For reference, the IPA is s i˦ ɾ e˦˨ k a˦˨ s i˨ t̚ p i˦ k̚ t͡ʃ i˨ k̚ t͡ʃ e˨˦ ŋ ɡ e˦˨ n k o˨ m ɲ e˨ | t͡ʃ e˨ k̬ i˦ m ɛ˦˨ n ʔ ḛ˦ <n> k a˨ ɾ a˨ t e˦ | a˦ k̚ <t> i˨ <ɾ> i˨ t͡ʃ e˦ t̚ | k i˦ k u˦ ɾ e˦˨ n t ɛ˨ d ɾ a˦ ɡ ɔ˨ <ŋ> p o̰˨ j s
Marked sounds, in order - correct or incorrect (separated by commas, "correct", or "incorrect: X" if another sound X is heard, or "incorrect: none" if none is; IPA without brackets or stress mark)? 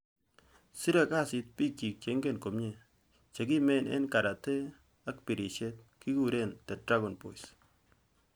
correct, incorrect: p, correct, incorrect: n